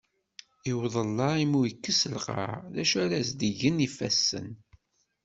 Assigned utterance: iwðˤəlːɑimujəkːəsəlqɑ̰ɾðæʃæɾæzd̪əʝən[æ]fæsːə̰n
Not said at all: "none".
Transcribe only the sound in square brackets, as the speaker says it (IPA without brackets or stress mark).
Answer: i